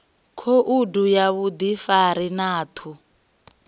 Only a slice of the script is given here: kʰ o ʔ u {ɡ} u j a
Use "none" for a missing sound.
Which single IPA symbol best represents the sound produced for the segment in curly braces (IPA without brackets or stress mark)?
d